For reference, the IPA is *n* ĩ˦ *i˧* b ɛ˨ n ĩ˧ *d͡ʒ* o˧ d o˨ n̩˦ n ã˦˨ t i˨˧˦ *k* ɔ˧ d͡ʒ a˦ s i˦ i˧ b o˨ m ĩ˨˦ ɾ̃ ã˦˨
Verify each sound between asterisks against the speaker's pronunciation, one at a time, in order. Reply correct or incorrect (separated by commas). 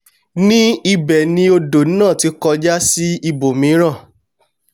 correct, correct, incorrect, correct